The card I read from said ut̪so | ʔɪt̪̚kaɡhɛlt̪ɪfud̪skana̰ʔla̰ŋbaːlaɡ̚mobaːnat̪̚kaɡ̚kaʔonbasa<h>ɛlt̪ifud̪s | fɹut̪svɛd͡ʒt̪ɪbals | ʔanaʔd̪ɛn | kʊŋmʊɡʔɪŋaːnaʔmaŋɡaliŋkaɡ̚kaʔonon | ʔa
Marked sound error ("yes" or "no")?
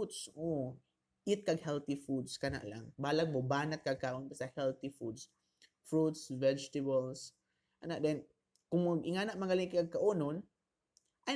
no